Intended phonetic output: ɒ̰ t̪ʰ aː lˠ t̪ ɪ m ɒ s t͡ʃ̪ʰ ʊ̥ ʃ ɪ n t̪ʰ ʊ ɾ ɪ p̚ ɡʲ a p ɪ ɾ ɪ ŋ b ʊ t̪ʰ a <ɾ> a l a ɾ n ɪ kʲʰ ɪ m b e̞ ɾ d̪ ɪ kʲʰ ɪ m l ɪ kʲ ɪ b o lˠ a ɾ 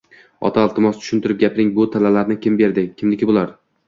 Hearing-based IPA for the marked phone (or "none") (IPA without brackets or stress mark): l